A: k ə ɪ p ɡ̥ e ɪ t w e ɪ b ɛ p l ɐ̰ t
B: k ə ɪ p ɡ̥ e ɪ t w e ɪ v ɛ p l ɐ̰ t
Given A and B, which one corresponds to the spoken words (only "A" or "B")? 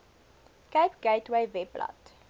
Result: B